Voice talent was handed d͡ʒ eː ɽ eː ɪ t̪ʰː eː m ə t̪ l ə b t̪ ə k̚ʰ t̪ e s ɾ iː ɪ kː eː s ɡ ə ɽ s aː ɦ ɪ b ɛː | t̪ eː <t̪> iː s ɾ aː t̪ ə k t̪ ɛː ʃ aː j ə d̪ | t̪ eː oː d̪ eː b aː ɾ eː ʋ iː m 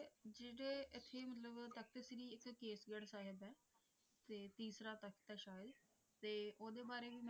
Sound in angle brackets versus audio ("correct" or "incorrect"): correct